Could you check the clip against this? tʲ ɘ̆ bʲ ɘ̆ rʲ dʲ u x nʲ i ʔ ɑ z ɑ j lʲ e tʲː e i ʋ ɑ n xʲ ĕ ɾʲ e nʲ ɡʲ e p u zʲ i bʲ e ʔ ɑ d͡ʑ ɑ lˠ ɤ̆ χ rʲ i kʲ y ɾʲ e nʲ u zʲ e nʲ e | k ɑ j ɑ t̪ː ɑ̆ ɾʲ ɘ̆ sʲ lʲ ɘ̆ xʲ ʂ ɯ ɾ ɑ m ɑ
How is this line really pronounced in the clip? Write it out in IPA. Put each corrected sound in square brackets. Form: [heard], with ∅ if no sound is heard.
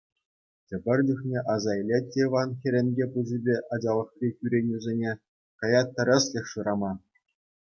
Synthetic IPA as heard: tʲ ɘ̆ bʲ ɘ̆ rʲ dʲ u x nʲ [e] ʔ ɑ z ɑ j lʲ e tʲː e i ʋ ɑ n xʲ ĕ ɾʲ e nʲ ɡʲ e p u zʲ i bʲ e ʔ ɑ d͡ʑ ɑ lˠ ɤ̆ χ rʲ i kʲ y ɾʲ e nʲ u zʲ e nʲ e | k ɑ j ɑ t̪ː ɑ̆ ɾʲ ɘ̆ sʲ lʲ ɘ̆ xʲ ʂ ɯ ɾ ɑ m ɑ

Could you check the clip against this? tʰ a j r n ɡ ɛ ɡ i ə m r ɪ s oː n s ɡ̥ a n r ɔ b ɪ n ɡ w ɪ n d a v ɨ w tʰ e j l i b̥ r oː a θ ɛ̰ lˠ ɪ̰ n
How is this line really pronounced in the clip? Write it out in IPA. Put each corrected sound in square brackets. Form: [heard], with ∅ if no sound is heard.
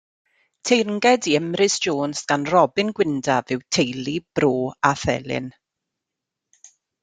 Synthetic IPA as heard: tʰ [e] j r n ɡ ɛ [d] i ə m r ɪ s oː n s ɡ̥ a n r ɔ b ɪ n ɡ w ɪ n d a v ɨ w tʰ e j l i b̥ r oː a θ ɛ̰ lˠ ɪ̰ n

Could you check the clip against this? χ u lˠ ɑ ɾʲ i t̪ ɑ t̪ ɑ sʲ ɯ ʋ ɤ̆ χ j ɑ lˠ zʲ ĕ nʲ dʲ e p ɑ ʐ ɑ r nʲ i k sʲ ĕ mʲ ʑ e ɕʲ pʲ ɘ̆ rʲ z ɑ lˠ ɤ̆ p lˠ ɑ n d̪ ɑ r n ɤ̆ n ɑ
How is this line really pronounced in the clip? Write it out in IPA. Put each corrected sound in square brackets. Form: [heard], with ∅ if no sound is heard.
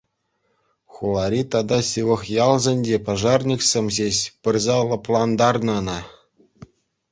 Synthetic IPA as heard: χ u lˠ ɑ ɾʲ i t̪ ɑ [d̪] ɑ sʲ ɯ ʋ ɤ̆ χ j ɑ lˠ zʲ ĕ nʲ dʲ e p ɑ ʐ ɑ r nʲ i k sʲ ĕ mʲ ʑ e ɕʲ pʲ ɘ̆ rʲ z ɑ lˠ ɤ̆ p lˠ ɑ n d̪ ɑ r n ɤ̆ n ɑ

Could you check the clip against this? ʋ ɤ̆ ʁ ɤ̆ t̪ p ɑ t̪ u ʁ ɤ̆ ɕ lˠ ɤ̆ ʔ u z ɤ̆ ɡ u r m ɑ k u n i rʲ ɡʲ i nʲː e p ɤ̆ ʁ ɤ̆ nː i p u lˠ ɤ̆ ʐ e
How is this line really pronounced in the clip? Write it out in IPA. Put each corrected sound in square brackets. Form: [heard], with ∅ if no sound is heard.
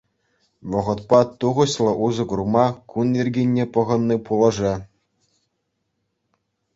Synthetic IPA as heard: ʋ ɤ̆ ʁ ɤ̆ t̪ p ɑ t̪ u ʁ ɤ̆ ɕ lˠ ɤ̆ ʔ u z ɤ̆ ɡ u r m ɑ k u n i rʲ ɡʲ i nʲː e p ɤ̆ ʁ ɤ̆ nː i p u lˠ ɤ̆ ʐ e

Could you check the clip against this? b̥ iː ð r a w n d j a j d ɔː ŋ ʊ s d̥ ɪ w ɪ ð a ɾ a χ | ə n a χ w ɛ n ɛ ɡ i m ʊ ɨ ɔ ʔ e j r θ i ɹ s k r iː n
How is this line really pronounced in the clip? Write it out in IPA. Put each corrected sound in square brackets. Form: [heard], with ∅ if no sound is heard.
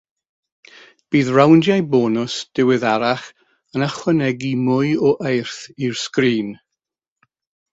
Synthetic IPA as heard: b̥ iː ð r a w n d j a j [b] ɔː [n] ʊ s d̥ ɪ w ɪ ð a ɾ a χ | ə n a χ w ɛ n ɛ ɡ i m ʊ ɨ ɔ ʔ e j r θ i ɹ s k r iː n

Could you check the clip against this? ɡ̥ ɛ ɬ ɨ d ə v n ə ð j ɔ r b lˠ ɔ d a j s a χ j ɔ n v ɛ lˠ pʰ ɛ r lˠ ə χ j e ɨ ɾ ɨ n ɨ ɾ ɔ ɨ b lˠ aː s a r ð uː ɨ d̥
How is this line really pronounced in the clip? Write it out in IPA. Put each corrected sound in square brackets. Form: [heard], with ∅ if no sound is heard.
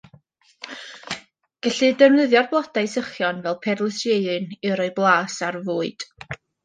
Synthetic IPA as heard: ɡ̥ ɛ ɬ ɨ d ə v n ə ð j ɔ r b lˠ ɔ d a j s [ə] χ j ɔ n v ɛ lˠ pʰ ɛ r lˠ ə [s] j e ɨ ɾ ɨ n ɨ ɾ ɔ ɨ b lˠ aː s a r [v] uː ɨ d̥

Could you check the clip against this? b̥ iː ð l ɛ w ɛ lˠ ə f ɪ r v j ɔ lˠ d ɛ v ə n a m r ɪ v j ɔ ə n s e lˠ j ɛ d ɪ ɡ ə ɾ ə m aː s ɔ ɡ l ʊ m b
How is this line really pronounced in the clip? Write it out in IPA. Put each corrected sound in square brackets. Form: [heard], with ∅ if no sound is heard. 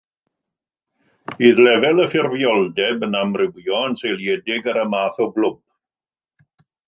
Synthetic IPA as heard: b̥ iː ð l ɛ [v] ɛ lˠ ə f ɪ r v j ɔ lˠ d ɛ [b] ə n a m r ɪ [w] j ɔ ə n s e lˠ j ɛ d ɪ ɡ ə ɾ ə m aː [θ] ɔ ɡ l ʊ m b

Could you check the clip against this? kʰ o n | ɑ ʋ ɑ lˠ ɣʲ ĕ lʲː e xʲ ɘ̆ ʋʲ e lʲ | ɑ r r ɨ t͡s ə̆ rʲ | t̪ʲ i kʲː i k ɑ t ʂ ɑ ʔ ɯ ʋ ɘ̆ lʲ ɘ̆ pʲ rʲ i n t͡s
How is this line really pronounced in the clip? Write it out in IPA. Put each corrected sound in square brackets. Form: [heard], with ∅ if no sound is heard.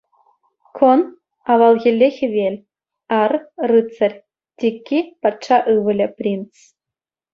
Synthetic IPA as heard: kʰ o n | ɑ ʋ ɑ lˠ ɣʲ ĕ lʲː e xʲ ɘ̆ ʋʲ e lʲ | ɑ r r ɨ t͡s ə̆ rʲ | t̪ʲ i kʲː i [p] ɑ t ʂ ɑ ʔ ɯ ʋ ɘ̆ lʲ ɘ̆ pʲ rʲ i n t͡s

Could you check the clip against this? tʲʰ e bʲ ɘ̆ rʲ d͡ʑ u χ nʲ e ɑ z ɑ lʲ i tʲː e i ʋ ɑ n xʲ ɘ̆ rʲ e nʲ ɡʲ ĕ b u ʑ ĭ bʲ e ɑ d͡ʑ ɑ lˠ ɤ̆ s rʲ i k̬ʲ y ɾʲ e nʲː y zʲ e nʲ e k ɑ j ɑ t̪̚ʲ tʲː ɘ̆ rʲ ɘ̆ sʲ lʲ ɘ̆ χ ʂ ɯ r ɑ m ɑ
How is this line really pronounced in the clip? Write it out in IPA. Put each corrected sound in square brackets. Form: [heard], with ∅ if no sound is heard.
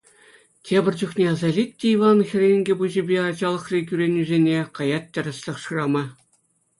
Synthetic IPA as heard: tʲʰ e bʲ ɘ̆ rʲ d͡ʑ u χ nʲ e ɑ z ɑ lʲ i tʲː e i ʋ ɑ n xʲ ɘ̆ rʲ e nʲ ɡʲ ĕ b u ʑ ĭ bʲ e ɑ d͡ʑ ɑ lˠ ɤ̆ [χ] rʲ i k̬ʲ y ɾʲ e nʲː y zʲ e nʲ e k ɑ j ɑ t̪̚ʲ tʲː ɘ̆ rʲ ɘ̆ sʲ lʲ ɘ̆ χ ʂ ɯ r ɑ m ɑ

